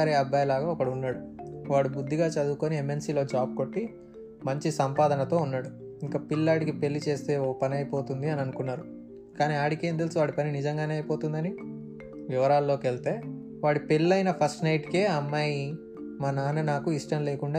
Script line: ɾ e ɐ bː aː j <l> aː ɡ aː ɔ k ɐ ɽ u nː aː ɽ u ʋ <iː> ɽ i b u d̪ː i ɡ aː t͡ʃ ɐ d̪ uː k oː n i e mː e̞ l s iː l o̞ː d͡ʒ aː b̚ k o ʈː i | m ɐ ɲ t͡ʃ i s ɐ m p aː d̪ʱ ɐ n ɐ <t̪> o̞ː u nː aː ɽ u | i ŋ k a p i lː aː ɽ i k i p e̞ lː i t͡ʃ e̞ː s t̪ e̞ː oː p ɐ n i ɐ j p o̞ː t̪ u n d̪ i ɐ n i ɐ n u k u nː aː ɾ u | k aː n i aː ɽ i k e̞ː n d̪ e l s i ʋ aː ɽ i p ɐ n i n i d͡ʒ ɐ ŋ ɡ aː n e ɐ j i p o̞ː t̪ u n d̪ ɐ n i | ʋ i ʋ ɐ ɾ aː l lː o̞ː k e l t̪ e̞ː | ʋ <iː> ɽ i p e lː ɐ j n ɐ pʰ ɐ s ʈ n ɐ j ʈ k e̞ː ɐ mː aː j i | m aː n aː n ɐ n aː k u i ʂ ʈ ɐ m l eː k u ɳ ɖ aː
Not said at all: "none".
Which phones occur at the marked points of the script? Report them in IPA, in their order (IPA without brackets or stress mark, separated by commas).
l, aː, t̪, aː